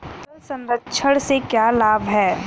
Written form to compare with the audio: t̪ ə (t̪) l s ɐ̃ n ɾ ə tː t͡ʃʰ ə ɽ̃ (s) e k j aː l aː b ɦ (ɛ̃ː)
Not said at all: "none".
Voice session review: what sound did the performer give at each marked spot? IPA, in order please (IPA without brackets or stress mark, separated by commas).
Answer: none, s, ɛː